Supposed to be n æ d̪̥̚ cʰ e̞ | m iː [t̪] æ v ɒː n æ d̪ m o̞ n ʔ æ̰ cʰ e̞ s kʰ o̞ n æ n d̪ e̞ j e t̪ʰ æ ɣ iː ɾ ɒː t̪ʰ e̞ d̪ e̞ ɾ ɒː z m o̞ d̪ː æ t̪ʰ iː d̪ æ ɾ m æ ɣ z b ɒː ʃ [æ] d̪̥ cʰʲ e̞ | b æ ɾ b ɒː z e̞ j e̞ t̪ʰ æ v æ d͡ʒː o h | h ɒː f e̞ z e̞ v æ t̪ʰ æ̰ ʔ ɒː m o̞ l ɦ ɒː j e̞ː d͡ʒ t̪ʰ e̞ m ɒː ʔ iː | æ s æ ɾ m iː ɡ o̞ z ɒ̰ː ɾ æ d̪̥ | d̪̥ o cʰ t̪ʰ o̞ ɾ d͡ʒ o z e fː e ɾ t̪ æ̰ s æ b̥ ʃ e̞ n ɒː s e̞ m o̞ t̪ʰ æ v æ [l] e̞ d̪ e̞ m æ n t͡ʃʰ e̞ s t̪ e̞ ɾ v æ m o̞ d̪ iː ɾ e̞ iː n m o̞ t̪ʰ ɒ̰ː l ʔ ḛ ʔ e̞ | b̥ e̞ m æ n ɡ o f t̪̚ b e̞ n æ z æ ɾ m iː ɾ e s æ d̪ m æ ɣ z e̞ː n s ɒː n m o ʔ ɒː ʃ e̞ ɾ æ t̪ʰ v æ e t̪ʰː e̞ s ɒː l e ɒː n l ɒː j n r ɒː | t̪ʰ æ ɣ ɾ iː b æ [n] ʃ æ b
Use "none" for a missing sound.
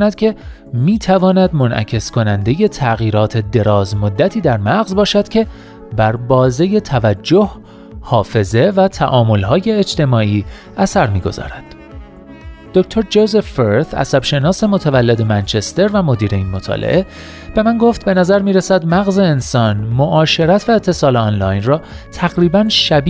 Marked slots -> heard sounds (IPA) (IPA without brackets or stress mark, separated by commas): t̪ʰ, æ, lː, n